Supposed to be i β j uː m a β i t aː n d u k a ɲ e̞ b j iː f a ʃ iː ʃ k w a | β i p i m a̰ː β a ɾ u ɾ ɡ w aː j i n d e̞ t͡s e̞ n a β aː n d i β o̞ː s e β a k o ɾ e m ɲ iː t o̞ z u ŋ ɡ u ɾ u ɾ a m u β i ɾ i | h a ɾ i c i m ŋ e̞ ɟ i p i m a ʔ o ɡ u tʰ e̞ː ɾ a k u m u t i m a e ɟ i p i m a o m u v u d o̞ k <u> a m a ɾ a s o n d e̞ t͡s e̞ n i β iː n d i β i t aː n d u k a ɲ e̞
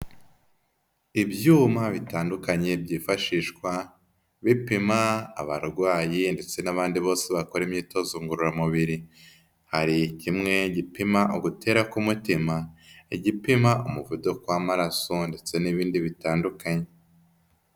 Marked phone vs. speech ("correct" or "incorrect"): incorrect